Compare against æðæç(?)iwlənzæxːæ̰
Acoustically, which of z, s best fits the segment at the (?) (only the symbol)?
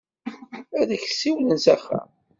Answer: s